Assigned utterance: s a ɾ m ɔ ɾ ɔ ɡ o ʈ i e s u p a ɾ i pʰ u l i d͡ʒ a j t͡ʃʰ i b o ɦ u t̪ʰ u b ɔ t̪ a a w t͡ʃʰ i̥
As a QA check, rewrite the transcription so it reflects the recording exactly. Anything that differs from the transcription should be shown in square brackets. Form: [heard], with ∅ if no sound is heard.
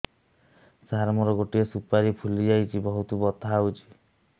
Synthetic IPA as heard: s a ɾ m ɔ ɾ ɔ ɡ o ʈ i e s u p a ɾ i pʰ u l i d͡ʒ a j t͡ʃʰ i b [ɔ] ɦ u [t̪] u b ɔ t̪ a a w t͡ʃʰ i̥